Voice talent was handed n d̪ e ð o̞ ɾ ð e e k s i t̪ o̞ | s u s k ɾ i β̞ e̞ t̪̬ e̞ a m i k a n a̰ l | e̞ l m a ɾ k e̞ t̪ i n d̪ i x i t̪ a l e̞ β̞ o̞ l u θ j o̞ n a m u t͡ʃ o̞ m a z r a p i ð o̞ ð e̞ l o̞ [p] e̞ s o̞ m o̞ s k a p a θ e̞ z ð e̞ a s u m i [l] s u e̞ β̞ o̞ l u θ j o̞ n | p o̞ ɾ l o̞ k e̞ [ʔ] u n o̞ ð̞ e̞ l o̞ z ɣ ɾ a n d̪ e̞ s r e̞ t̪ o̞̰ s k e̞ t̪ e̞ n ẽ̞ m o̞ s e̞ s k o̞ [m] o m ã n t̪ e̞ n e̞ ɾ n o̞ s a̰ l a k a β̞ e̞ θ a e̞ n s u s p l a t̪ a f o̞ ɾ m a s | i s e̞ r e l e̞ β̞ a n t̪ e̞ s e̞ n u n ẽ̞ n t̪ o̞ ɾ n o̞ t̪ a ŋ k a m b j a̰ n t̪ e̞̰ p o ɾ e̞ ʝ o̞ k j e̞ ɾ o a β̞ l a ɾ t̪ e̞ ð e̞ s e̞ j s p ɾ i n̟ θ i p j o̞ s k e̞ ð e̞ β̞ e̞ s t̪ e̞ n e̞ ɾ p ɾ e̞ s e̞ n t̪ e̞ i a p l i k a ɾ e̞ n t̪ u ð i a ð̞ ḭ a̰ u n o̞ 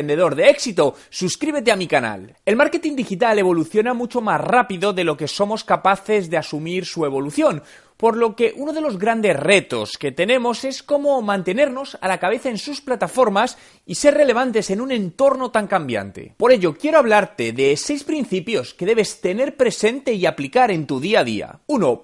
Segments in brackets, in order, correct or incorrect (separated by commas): incorrect, incorrect, correct, correct